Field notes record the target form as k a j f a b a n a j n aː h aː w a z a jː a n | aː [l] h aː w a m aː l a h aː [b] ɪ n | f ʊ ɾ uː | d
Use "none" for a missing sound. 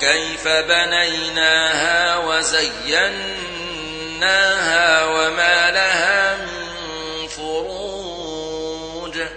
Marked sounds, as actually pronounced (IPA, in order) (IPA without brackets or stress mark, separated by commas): none, m